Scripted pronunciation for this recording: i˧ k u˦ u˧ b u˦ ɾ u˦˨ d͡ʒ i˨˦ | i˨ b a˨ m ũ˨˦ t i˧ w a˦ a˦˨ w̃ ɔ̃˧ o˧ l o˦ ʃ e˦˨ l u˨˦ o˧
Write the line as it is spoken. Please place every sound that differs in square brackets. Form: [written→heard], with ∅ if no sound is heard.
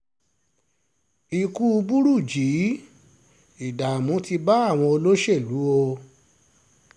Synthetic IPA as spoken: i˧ k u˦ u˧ b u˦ ɾ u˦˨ d͡ʒ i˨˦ | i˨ [b→d] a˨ m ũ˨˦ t i˧ [w→b] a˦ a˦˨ w̃ ɔ̃˧ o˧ l o˦ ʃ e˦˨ l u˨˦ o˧

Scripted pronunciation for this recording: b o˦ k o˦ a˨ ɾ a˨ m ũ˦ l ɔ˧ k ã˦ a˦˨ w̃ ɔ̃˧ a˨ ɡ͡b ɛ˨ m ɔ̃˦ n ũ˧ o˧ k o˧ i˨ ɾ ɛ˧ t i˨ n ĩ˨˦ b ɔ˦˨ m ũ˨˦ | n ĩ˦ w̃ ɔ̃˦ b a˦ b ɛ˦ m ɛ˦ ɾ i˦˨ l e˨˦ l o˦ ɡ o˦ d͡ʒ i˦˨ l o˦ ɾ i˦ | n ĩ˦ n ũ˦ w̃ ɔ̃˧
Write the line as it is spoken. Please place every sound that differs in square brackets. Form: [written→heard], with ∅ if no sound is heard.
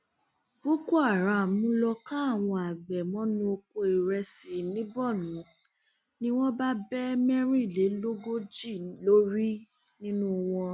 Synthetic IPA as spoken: b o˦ k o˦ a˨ ɾ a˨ m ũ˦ l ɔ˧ k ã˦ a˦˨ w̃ ɔ̃˧ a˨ ɡ͡b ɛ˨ m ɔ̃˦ n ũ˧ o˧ k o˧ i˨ ɾ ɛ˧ [t→s] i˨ n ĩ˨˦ b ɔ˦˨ [m→n] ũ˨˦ | n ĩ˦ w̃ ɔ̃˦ b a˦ b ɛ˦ m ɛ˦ ɾ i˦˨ l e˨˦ l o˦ ɡ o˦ d͡ʒ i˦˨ l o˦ ɾ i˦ | n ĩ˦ n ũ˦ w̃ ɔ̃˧

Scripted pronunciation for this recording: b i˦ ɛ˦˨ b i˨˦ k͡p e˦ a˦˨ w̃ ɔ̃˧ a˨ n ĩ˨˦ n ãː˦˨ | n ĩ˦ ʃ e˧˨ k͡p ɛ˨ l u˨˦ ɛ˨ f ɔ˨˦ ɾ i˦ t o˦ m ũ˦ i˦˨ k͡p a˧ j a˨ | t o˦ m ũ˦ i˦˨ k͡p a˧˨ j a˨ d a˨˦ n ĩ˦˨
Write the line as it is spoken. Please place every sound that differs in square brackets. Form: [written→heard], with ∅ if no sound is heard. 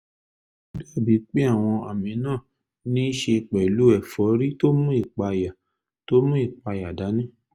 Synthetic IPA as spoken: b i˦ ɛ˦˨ b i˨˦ k͡p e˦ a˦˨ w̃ ɔ̃˧ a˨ [n→m] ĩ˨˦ n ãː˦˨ | n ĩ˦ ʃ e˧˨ k͡p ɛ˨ l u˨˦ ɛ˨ f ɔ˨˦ ɾ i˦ t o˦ m ũ˦ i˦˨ k͡p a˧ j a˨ | t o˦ m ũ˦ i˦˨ k͡p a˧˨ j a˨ d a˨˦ n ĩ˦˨

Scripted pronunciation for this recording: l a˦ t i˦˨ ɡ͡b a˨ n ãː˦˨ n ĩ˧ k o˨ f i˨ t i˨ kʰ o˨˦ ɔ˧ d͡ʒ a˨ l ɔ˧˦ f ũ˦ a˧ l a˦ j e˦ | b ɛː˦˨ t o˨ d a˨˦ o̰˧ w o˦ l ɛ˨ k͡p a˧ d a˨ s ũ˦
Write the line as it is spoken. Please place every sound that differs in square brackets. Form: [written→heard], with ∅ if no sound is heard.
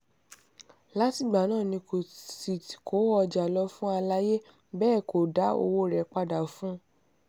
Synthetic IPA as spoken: l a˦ t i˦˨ ɡ͡b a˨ n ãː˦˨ n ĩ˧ k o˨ [f→s] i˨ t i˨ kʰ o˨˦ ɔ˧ d͡ʒ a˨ l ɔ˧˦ f ũ˦ a˧ l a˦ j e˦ | b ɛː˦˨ [t→k] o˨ d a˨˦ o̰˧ w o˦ [l→ɾ] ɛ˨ k͡p a˧ d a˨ [s→f] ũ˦

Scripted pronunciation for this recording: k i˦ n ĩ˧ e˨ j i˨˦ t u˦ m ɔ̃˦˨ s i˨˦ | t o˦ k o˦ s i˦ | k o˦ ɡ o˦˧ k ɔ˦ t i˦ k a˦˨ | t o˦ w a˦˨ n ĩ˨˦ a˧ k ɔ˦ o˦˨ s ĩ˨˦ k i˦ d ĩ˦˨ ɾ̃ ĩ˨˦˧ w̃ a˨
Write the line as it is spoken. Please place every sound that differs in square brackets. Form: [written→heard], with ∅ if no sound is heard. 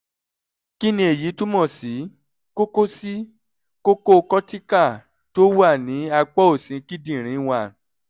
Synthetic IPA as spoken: k i˦ n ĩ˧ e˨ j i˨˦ t u˦ m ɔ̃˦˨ s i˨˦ | [t→k] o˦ k o˦ s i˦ | k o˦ [ɡ→k] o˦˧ k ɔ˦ t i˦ k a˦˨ | t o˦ w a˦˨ n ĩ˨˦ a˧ [k→k͡p] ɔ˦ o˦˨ s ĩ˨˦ k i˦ d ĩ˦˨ ɾ̃ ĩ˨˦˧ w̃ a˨

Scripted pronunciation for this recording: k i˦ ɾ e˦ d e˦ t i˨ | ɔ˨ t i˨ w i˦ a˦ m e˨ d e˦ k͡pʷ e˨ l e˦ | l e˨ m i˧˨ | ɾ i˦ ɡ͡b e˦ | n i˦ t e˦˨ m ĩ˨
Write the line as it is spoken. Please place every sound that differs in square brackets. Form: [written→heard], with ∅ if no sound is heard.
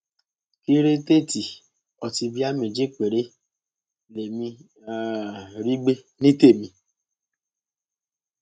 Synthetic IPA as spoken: k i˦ ɾ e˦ [d→t] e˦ t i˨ | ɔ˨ t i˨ [w→b] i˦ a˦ m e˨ [d→d͡ʒ] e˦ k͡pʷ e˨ [l→ɾ] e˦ | l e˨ m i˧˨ | ɾ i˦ ɡ͡b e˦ | n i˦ t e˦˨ m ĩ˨

